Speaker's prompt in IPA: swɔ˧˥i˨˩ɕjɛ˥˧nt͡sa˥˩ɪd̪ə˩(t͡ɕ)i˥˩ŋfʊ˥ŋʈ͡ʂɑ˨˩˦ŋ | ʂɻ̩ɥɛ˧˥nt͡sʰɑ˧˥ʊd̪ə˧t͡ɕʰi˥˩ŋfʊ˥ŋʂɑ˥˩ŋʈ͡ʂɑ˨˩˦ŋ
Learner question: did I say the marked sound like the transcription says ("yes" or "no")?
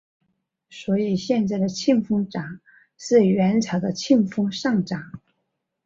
no